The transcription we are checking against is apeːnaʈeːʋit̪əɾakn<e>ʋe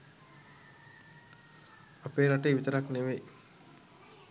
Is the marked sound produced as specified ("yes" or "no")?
yes